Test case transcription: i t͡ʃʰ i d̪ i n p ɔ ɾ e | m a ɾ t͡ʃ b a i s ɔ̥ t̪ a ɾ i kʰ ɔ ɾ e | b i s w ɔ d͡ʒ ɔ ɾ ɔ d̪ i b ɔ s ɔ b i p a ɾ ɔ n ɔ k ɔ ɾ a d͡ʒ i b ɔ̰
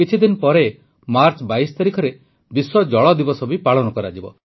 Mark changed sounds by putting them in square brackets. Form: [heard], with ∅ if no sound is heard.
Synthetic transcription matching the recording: i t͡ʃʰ i d̪ i n p ɔ ɾ e | m a ɾ t͡ʃ b a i s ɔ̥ t̪ a ɾ i kʰ ɔ ɾ e | b i s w ɔ d͡ʒ ɔ [ɭ] ɔ d̪ i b ɔ s ɔ b i p a [ɭ] ɔ n ɔ k ɔ ɾ a d͡ʒ i b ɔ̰